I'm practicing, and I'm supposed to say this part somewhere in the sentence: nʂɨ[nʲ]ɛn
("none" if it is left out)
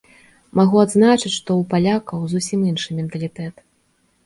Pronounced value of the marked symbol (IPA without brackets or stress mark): mʲ